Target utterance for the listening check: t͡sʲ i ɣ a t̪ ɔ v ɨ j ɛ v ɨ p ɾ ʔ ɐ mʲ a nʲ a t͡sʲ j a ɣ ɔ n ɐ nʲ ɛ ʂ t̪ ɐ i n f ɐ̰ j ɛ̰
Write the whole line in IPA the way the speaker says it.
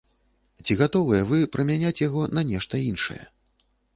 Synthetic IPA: t͡sʲ i ɣ a t̪ ɔ v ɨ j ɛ v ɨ p ɾ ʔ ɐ mʲ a nʲ a t͡sʲ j a ɣ ɔ n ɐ nʲ ɛ ʂ t̪ ɐ i n ʂ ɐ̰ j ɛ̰